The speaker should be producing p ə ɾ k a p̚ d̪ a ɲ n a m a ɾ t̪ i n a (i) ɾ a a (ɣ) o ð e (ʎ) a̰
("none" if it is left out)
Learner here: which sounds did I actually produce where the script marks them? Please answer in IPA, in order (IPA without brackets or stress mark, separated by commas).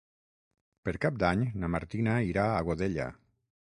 i, ɣ, ʎ